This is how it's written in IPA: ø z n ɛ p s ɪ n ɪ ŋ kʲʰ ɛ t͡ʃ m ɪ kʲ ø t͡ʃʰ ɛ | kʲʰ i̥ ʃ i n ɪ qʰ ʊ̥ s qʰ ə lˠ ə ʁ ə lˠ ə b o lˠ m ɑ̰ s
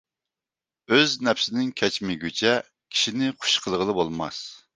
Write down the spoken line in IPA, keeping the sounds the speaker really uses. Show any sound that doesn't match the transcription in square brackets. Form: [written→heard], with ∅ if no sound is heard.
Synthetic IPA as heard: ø z n ɛ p s ɪ n ɪ ŋ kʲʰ ɛ t͡ʃ m ɪ [kʲ→ɡʲ] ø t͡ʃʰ ɛ | kʲʰ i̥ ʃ i n ɪ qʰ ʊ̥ [s→ʃ] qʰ ə lˠ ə ʁ ə lˠ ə b o lˠ m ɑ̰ s